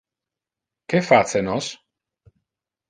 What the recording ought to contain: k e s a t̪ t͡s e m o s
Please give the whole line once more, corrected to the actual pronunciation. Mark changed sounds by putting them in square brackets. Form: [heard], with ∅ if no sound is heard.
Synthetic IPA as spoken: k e [f] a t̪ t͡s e [n] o s